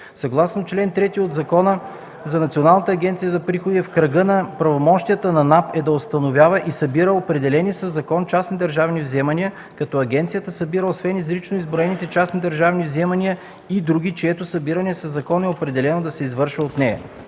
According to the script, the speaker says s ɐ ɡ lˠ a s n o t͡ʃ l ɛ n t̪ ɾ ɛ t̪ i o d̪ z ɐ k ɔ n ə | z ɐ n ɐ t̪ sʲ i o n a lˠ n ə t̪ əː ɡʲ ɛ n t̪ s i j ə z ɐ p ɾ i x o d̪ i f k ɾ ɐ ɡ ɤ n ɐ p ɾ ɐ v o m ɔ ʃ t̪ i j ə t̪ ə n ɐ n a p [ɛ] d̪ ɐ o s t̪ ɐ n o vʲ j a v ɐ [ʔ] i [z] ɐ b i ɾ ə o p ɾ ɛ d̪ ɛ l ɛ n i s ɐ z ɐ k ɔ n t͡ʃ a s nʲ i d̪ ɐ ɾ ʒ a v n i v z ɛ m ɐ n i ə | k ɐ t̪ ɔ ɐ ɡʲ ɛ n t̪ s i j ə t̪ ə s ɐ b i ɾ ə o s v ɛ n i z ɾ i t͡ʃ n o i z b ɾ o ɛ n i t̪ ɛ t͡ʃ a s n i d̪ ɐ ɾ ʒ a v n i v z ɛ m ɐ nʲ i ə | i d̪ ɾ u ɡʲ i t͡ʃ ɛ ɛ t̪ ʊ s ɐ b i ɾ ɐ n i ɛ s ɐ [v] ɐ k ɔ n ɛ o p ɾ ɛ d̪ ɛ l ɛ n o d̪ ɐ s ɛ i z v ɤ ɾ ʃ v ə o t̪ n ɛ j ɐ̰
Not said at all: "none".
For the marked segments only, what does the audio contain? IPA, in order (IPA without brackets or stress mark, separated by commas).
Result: ɛ, ʔ, s, z